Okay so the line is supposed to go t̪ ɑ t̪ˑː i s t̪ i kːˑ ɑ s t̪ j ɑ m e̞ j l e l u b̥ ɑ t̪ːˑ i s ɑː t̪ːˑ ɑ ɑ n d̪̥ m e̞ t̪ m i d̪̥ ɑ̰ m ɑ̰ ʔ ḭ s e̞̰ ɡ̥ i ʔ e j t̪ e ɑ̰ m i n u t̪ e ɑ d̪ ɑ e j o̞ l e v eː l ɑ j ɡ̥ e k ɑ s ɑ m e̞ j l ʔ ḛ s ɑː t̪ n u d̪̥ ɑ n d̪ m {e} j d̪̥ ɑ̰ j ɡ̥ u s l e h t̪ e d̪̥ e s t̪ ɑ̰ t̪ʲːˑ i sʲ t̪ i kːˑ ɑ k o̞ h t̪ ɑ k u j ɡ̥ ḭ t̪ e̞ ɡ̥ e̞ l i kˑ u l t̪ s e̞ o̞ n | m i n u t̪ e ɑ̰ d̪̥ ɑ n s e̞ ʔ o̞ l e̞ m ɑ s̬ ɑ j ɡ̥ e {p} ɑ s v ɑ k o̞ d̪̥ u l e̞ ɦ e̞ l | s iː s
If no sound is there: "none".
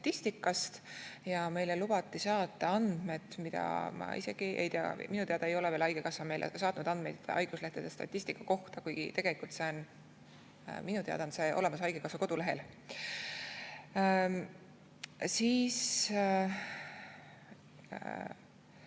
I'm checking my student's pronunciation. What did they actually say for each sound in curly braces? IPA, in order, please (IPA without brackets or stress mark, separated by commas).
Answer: e, k